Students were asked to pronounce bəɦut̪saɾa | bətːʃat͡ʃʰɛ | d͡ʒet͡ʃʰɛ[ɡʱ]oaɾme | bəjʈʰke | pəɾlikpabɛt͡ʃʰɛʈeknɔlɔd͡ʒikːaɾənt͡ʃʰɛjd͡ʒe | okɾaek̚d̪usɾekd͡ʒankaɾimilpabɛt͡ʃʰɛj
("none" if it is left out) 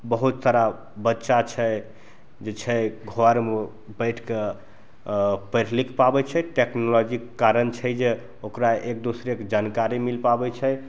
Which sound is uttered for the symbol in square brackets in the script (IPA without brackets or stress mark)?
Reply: ɡʱ